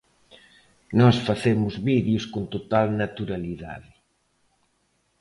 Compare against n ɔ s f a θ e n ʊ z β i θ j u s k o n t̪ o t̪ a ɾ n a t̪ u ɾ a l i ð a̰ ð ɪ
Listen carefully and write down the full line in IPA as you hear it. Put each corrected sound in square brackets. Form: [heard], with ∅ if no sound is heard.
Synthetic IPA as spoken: n ɔ s f a θ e [m] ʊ z β i [ð] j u s k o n t̪ o t̪ a [l] n a t̪ u ɾ a l i ð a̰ ð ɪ